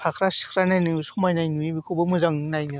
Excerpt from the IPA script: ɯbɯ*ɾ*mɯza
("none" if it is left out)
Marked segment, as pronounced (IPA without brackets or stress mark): none